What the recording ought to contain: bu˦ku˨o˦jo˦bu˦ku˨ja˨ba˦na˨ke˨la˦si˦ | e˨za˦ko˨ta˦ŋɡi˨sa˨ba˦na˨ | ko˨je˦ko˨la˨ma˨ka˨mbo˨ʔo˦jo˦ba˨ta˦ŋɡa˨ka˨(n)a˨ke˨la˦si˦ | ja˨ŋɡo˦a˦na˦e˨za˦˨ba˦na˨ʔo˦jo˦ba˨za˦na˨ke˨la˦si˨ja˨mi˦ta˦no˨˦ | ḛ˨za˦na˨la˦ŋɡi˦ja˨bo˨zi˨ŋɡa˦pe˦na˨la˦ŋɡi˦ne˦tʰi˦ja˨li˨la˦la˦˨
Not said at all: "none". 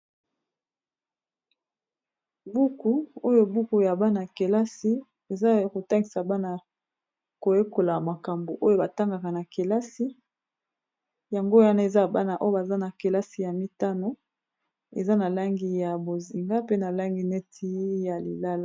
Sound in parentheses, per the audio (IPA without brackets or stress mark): n